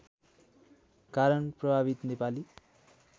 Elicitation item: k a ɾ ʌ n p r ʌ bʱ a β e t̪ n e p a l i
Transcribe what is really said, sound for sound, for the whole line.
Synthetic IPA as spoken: k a ɾ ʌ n p r ʌ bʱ a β i t̪ n e p a l i